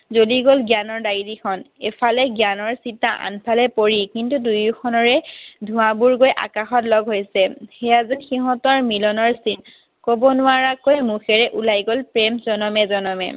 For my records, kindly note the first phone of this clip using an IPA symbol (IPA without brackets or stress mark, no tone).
z